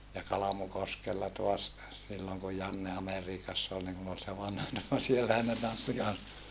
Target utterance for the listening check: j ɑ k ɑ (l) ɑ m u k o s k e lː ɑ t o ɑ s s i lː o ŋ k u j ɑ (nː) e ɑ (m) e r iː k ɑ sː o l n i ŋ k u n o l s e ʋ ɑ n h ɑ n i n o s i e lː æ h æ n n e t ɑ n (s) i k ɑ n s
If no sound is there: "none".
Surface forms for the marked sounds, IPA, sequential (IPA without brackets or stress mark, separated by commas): l, nː, m, sː